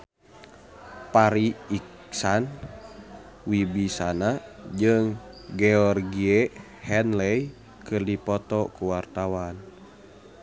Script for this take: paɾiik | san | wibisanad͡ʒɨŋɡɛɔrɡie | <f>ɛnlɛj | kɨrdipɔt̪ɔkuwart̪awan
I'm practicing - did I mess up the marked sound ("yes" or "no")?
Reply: yes